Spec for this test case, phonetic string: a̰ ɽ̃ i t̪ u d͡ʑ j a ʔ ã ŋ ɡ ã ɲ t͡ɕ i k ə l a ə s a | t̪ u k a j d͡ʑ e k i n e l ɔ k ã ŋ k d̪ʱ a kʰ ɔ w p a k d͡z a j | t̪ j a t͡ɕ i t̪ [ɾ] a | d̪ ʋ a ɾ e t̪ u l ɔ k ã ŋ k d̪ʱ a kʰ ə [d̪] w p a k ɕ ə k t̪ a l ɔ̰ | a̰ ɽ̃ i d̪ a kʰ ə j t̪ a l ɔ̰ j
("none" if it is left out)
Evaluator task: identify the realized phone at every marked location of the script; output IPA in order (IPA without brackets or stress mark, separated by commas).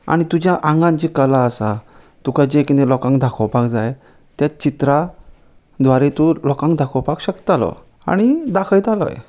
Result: ɾ, none